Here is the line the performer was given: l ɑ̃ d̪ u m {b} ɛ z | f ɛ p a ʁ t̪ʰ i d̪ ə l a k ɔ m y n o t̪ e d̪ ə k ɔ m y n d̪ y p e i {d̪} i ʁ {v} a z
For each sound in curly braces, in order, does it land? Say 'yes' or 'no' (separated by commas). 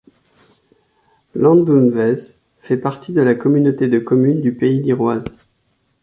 no, yes, no